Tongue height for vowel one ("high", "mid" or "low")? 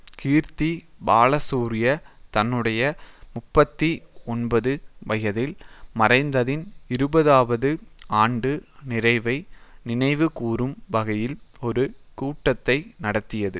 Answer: high